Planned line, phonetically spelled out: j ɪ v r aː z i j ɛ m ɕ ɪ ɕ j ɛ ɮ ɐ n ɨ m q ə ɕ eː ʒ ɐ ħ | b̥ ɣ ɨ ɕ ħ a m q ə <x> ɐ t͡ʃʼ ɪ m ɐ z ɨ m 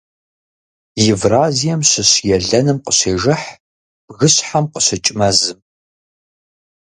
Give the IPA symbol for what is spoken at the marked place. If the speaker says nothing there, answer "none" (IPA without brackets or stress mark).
ɕ